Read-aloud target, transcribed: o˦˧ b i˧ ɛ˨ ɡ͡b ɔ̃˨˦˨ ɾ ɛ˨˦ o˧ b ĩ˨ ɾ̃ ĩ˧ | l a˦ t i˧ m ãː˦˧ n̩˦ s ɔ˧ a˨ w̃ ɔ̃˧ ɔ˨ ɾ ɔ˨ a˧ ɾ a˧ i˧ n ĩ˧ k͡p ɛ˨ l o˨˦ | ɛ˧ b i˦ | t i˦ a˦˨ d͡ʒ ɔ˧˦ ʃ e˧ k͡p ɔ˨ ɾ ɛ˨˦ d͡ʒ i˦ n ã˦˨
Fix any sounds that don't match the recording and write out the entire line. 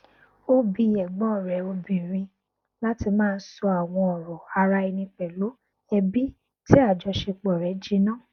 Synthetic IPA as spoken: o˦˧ b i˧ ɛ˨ ɡ͡b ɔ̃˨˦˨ ɾ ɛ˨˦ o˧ b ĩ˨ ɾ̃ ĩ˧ | l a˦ t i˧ m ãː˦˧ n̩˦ s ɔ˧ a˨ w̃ ɔ̃˧ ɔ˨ ɾ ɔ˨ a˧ ɾ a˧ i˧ n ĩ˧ k͡p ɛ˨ l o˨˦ | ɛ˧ b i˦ | t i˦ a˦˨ d͡ʒ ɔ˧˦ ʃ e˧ k͡p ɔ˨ ɾ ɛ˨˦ d͡ʒ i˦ n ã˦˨